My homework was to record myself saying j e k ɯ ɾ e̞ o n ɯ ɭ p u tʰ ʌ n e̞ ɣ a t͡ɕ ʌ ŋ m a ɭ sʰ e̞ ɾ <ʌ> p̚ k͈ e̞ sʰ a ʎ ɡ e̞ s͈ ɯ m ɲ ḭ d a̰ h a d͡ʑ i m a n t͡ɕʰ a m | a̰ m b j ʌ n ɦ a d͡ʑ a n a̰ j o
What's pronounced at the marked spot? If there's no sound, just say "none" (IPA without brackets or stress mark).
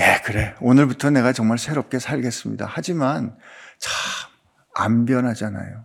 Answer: ʌ